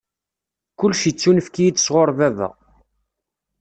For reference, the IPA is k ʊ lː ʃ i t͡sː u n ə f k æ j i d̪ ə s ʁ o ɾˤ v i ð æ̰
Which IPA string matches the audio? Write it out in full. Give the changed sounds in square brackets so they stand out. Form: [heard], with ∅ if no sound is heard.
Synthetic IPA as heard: k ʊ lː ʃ i t͡sː u n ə f k [i] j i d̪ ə s ʁ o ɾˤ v [æ] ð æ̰